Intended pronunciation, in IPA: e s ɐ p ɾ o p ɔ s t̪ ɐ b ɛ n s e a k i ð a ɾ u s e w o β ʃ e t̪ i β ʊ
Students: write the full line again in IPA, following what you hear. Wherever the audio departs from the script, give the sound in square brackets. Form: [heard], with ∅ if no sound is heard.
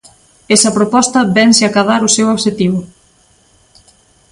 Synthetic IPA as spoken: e s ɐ p ɾ o p ɔ s t̪ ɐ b ɛ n s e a k [a] ð a ɾ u s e w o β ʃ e t̪ i β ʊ